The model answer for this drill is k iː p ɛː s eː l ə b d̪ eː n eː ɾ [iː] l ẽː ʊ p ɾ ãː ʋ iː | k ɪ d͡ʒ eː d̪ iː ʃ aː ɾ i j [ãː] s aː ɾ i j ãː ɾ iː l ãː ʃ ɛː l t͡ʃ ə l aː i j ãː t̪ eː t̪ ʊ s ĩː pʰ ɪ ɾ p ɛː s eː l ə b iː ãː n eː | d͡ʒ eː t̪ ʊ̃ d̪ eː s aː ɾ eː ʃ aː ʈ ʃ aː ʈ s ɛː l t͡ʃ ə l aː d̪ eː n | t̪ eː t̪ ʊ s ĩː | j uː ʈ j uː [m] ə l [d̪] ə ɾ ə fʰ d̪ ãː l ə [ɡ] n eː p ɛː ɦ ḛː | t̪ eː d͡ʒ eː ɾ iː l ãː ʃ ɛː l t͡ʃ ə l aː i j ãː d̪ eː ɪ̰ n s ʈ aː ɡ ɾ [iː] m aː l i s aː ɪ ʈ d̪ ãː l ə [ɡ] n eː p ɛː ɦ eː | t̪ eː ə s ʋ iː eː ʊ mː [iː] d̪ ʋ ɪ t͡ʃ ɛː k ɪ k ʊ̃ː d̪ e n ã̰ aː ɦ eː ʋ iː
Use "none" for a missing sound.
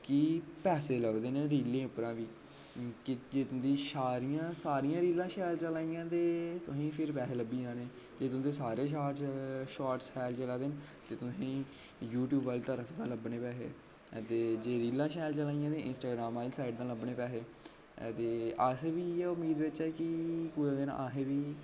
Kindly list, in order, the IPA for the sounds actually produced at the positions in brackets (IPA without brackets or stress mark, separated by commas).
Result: iː, ãː, b, t̪, b, aː, b, iː